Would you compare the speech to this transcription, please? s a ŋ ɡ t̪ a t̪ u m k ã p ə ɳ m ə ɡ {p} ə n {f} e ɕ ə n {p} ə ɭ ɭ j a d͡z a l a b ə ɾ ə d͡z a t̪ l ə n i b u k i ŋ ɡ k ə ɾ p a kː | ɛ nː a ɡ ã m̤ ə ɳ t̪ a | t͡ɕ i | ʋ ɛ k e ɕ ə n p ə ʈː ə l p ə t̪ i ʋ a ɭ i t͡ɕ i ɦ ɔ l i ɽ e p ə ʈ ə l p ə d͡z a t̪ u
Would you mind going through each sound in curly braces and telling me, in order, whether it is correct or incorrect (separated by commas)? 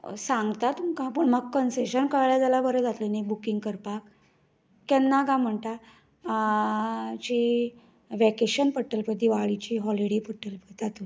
incorrect, incorrect, incorrect